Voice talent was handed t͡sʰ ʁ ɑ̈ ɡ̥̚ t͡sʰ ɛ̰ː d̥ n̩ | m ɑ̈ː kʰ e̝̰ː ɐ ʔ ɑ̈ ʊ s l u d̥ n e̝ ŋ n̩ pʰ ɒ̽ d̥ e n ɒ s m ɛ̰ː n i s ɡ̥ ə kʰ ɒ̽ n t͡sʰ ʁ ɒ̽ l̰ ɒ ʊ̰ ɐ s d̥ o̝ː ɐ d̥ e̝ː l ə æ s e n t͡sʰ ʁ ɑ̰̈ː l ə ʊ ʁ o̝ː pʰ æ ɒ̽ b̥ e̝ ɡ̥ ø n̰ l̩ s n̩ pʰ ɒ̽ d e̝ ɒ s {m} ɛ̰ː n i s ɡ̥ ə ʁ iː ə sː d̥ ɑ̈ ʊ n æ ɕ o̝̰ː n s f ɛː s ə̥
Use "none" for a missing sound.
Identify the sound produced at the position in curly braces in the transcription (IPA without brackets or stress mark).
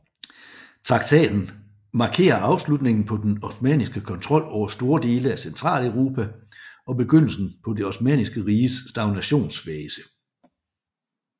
m